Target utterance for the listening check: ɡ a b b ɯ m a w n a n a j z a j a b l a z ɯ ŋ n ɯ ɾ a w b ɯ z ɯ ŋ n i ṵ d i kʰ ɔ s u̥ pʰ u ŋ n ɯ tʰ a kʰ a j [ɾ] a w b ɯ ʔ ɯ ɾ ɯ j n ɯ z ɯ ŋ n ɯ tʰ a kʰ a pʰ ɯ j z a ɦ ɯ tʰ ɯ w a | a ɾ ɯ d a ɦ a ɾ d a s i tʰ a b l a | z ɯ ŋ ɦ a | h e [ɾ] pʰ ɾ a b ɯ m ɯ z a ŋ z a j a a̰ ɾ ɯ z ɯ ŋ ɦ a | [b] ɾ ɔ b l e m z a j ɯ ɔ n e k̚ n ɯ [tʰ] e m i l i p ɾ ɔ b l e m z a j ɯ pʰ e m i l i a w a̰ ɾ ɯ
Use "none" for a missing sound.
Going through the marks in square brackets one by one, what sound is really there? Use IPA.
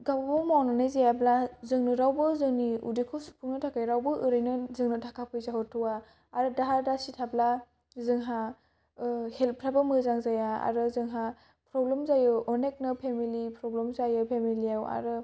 ɾ, l, p, pʰ

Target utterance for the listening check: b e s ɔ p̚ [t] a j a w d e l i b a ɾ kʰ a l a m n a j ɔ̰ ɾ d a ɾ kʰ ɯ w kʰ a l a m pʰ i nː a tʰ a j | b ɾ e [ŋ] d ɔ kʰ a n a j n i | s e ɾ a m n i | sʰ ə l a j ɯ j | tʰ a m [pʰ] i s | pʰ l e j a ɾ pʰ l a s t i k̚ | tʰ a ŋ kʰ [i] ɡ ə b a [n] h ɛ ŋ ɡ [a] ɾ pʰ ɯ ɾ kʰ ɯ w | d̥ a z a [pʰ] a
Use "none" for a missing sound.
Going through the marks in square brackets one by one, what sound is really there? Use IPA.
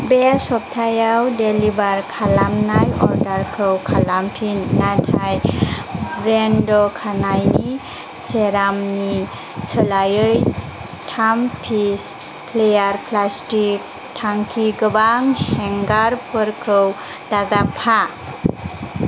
tʰ, n, pʰ, i, ŋ, a, pʰ

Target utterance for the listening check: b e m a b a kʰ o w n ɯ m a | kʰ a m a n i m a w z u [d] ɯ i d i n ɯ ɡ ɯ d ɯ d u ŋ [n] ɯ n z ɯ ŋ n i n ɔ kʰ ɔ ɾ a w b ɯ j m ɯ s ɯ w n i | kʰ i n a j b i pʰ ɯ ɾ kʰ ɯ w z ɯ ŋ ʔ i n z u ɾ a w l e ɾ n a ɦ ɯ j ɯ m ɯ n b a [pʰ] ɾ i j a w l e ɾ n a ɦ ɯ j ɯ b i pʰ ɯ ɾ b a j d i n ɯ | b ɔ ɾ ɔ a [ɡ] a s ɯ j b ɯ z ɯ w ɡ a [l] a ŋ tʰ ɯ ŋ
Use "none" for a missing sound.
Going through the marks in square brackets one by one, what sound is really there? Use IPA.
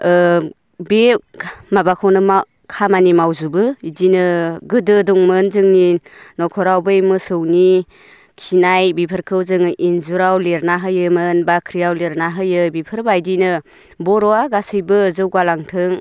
b, m, kʰ, ɡ, l

